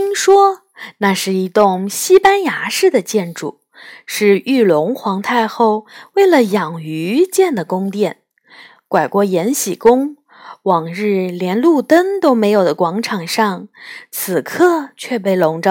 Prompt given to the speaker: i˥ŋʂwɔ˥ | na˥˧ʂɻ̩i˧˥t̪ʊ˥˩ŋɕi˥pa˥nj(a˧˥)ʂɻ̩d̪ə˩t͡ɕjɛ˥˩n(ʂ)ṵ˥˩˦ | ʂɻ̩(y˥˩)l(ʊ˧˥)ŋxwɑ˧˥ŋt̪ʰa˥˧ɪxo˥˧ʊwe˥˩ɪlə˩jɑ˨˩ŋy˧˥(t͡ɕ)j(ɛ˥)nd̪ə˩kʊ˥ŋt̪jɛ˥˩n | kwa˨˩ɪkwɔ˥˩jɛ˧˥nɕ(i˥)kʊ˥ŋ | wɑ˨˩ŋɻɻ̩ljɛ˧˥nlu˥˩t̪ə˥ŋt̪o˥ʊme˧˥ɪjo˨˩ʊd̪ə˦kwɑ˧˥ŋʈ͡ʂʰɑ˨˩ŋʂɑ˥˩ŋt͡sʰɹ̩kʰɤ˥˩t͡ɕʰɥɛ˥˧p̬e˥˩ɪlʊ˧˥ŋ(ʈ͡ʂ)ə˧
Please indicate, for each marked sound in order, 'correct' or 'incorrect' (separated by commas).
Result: correct, incorrect, correct, correct, correct, incorrect, incorrect, correct